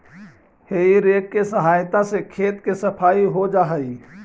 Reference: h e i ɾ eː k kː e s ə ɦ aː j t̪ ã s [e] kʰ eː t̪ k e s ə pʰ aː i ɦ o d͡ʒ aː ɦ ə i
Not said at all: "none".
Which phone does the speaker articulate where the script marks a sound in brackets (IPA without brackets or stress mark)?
e